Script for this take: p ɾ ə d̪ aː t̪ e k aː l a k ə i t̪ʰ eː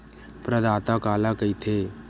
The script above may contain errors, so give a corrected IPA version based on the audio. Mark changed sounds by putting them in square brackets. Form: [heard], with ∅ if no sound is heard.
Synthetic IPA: p ɾ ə d̪ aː t̪ [a] k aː l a k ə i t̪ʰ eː